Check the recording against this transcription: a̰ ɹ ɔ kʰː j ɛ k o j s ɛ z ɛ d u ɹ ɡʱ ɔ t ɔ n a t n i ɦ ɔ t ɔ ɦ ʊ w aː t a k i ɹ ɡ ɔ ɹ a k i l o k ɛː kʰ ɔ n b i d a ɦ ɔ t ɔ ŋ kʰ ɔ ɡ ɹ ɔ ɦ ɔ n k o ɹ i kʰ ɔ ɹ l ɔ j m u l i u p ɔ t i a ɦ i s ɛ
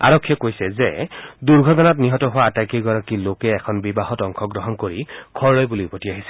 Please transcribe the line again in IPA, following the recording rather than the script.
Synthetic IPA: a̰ ɹ ɔ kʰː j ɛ k o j s ɛ z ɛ d u ɹ ɡʱ ɔ t ɔ n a t n i ɦ ɔ t ɔ ɦ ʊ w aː t a k i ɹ ɡ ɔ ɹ a k i l o k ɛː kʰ ɔ n b i b a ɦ ɔ t ɔ ŋ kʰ ɔ ɡ ɹ ɔ ɦ ɔ n k o ɹ i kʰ ɔ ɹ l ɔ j b u l i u p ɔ t i a ɦ i s ɛ